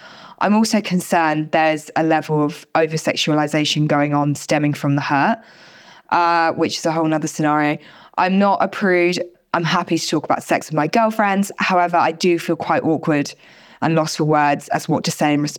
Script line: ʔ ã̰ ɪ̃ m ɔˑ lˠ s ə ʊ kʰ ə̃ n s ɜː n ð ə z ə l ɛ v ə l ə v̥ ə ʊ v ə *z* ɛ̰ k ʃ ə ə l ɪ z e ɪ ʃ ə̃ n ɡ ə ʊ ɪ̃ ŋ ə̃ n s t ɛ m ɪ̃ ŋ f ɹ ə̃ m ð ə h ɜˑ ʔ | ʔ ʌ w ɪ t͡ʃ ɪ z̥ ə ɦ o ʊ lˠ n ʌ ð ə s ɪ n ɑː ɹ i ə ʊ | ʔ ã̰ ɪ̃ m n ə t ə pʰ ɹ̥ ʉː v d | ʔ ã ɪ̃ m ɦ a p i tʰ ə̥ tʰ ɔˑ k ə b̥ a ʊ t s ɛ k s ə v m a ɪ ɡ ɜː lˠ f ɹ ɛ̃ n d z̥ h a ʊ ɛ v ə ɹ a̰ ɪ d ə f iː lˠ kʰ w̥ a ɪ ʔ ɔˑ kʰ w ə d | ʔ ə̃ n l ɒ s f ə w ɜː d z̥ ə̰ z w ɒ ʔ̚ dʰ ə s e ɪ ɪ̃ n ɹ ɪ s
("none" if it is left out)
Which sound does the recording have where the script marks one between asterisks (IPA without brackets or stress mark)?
s